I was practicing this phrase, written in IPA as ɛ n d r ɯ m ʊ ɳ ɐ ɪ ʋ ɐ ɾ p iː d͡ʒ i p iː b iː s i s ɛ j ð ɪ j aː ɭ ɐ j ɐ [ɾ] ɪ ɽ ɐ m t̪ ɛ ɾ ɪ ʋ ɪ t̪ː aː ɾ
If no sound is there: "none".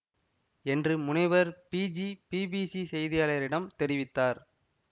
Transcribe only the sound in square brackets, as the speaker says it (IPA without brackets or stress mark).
ɾ